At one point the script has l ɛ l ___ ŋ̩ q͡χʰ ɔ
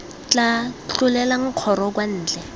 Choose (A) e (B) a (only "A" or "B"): B